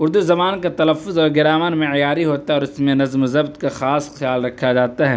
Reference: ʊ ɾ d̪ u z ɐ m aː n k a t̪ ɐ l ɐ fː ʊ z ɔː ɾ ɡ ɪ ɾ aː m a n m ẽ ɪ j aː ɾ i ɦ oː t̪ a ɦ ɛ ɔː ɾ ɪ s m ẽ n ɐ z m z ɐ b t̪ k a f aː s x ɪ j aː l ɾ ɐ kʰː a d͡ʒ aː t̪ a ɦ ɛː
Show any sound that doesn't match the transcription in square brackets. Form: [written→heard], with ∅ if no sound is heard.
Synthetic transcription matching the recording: ʊ ɾ d̪ u z ɐ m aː n k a t̪ ɐ l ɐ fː ʊ z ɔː ɾ ɡ ɪ ɾ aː m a n m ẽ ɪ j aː ɾ i ɦ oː t̪ a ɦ ɛ ɔː ɾ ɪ s m ẽ n ɐ z m z ɐ b t̪ k a [f→x] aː s x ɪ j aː l ɾ ɐ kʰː a d͡ʒ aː t̪ a ɦ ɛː

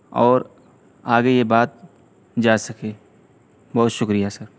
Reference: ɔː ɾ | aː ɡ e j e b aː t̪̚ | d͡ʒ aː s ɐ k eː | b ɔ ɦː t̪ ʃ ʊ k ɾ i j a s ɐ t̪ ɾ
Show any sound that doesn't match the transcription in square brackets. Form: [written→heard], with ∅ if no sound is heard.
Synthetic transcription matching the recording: ɔː ɾ | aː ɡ e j e b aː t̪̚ | d͡ʒ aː s ɐ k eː | b ɔ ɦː t̪ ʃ ʊ k ɾ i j a s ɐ [t̪→∅] ɾ

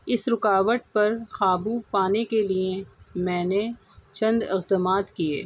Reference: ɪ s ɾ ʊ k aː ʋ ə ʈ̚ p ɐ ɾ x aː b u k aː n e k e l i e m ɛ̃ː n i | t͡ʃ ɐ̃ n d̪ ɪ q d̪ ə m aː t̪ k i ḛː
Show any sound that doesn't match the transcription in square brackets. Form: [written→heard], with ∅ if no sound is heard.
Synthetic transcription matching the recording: ɪ s ɾ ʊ k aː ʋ ə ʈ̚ p ɐ ɾ x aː b u [k→p] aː n e k e l i e m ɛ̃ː n [i→e] | t͡ʃ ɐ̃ n d̪ ɪ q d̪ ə m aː t̪ k i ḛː

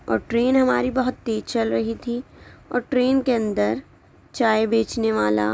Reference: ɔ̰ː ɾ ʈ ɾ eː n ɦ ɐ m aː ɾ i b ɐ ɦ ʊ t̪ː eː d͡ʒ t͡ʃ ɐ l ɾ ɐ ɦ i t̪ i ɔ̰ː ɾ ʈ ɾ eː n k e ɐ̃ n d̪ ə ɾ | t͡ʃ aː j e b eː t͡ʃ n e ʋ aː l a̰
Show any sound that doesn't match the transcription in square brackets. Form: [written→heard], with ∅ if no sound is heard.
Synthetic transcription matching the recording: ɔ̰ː ɾ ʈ ɾ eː n ɦ ɐ m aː ɾ i b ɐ ɦ ʊ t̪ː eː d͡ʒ t͡ʃ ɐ l ɾ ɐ ɦ i [t̪→t̪ʰ] i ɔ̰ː ɾ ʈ ɾ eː n k e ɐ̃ n d̪ ə ɾ | t͡ʃ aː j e b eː t͡ʃ n e ʋ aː l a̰

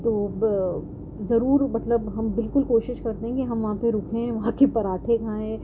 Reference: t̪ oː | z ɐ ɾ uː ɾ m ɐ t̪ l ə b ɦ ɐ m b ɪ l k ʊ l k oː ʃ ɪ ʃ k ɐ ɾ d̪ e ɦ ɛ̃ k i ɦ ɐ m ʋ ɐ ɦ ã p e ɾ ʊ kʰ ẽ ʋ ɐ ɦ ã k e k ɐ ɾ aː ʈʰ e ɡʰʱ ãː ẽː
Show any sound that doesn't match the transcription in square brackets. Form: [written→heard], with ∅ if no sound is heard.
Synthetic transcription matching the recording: t̪ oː | z ɐ ɾ uː ɾ m ɐ t̪ l ə b ɦ ɐ m b ɪ l k ʊ l k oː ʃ ɪ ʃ k ɐ ɾ [d̪→t̪] e ɦ ɛ̃ k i ɦ ɐ m ʋ ɐ ɦ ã p e ɾ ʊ kʰ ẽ ʋ ɐ ɦ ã k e [k→p] ɐ ɾ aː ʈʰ e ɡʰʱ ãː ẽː

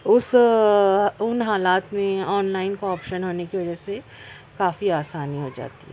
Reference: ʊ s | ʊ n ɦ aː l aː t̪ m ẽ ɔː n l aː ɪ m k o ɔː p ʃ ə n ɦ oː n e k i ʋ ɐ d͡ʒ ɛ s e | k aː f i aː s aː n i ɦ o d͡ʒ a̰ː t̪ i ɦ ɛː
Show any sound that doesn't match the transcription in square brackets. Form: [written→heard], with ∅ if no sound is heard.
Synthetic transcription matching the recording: ʊ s | ʊ n ɦ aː l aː t̪ m ẽ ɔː n l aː ɪ [m→n] k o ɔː p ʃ ə n ɦ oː n e k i ʋ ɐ d͡ʒ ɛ s e | k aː f i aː s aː n i ɦ o d͡ʒ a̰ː t̪ i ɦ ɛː

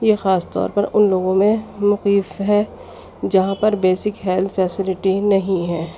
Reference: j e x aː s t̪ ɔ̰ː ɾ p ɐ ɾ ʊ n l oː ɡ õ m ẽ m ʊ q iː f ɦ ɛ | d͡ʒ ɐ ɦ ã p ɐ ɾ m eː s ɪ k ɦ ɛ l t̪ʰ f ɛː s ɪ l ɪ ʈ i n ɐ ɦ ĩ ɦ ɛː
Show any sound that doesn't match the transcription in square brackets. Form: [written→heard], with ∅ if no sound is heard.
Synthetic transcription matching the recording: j e x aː s t̪ ɔ̰ː ɾ p ɐ ɾ ʊ n l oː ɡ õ m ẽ m ʊ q iː f ɦ ɛ | d͡ʒ ɐ ɦ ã p ɐ ɾ [m→b] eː s ɪ k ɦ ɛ l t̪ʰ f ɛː s ɪ l ɪ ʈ i n ɐ ɦ ĩ ɦ ɛː

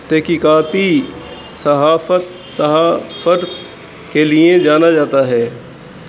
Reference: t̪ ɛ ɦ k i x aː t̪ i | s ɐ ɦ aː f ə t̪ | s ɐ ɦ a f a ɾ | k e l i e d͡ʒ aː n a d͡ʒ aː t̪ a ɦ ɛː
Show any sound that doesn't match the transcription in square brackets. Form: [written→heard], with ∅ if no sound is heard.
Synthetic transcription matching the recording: t̪ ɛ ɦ k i [x→k] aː t̪ i | s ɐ ɦ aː f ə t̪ | s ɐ ɦ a f [a→ə] ɾ | k e l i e d͡ʒ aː n a d͡ʒ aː t̪ a ɦ ɛː

